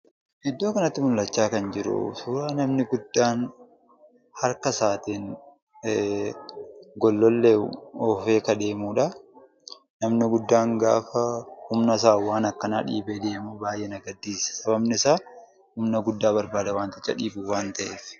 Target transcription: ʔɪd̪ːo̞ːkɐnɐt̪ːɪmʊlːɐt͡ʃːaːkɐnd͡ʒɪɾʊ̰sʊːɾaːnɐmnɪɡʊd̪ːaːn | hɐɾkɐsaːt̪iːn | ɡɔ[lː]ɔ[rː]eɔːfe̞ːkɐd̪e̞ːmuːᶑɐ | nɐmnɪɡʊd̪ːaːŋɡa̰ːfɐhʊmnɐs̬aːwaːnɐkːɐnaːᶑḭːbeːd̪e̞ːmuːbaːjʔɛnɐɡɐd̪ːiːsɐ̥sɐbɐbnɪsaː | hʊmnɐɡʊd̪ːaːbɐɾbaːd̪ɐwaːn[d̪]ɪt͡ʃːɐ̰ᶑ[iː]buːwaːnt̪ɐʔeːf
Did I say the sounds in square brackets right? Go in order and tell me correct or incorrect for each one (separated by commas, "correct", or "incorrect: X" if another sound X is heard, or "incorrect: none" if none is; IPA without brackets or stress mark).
correct, incorrect: lː, incorrect: t̪, correct